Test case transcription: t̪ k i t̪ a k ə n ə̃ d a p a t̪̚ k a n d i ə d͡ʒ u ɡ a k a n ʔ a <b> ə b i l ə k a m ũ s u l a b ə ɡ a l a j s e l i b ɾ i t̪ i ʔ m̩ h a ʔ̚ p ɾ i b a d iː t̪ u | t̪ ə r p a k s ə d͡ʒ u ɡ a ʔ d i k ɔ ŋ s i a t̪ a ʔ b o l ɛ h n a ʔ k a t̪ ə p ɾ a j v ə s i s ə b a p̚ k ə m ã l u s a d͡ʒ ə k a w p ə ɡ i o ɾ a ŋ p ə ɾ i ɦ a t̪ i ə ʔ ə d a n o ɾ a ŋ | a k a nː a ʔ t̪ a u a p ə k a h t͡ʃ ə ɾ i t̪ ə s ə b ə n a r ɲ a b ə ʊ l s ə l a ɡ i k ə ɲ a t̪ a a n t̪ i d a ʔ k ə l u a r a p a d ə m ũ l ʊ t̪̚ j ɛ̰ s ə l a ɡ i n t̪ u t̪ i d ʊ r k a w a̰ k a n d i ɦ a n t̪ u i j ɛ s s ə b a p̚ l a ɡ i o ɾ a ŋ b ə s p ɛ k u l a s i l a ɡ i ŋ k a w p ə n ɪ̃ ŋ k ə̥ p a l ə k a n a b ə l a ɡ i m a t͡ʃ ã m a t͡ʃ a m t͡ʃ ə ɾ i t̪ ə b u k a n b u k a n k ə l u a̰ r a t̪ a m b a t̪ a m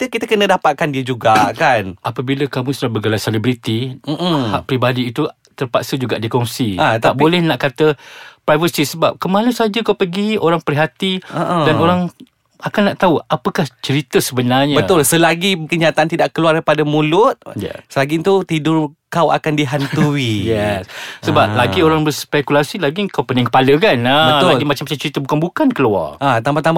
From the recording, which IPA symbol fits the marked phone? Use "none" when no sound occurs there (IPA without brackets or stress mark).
p